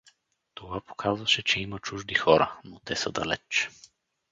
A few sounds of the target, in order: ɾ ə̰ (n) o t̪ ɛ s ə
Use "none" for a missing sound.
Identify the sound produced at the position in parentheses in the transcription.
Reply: n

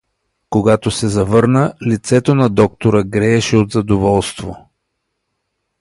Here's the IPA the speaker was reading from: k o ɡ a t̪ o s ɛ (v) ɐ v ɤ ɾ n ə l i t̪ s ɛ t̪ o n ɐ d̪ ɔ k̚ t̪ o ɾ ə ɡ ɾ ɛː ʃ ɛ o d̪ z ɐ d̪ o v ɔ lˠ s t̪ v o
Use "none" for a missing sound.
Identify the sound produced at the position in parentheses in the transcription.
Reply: z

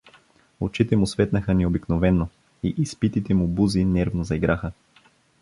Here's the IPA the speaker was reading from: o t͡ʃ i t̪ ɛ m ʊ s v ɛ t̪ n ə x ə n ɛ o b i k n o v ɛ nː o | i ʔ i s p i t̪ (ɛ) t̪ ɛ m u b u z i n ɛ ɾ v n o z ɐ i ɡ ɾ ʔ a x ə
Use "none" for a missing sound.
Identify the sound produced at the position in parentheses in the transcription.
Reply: i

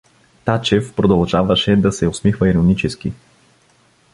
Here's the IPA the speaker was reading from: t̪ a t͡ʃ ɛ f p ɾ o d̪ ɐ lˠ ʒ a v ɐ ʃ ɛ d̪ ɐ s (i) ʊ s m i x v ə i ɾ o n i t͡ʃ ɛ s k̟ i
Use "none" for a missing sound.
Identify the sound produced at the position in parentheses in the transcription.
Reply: ɛ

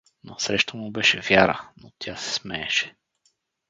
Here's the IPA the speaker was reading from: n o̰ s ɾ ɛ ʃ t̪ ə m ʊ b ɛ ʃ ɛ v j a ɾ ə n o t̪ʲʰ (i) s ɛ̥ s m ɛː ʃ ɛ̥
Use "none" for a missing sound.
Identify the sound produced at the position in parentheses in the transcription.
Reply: a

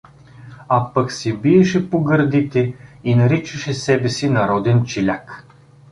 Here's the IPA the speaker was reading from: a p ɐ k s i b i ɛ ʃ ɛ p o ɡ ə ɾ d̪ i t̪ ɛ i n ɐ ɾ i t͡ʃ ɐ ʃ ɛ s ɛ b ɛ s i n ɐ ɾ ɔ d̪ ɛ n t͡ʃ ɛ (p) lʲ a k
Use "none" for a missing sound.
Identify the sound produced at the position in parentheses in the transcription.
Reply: none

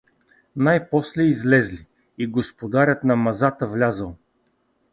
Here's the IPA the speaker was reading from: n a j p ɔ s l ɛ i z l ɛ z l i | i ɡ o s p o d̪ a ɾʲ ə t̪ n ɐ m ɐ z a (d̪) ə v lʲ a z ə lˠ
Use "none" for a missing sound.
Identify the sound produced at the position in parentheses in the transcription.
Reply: t̪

